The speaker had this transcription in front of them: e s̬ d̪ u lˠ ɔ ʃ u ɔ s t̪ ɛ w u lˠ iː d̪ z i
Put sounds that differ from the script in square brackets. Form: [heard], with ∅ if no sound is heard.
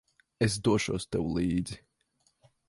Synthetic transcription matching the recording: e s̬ d̪ u [∅] ɔ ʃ u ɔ s t̪ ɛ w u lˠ iː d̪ z i